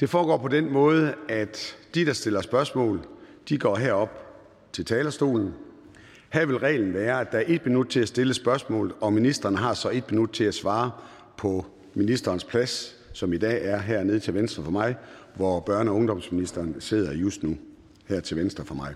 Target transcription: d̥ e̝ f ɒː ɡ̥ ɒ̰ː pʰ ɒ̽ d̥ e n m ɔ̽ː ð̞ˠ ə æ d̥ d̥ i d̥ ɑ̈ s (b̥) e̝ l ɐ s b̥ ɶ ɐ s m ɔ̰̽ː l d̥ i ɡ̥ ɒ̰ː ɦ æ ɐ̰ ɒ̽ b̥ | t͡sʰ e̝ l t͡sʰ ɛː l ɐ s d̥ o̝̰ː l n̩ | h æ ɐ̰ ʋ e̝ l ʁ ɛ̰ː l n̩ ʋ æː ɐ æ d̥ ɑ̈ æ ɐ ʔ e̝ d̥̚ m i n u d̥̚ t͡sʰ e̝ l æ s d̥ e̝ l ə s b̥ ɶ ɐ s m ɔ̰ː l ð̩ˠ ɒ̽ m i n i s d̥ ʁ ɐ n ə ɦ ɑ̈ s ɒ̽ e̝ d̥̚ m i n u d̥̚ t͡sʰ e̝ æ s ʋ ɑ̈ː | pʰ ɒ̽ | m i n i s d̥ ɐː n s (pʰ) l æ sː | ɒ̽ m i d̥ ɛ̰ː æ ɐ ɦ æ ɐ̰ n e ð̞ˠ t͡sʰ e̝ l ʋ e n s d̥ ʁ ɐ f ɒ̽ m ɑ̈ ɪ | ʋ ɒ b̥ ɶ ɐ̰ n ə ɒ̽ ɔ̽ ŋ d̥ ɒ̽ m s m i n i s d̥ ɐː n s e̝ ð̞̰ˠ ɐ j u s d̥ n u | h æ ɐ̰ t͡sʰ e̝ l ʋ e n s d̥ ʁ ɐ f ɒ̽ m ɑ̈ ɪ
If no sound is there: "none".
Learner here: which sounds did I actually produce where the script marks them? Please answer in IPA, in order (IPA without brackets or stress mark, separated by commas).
d̥, pʰ